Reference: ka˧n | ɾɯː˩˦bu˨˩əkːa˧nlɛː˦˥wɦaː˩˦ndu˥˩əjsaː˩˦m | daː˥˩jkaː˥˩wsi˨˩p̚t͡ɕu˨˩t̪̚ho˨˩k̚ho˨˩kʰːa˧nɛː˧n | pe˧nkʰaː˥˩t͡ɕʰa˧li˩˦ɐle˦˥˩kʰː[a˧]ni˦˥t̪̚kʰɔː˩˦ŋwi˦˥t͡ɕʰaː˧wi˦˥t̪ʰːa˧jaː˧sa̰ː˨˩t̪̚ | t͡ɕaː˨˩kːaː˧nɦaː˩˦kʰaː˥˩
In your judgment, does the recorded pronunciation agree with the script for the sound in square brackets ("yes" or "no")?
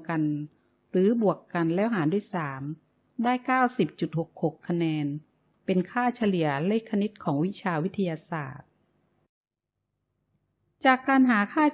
yes